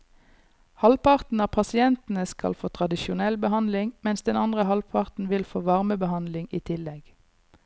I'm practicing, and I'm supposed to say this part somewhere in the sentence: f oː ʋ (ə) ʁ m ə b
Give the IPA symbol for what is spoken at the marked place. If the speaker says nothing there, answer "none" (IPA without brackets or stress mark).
ɑ